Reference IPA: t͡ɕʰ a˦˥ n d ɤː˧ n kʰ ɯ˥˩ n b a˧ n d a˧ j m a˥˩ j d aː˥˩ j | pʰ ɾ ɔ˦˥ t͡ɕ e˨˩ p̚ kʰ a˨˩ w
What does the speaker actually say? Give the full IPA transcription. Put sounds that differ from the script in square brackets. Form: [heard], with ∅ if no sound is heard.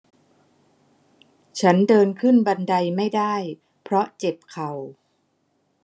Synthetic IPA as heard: t͡ɕʰ a˦˥ n d ɤː˧ n kʰ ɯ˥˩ n b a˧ n d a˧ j m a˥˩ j d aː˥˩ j | pʰ ɾ ɔ˦˥ t͡ɕ e˨˩ p̚ kʰ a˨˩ w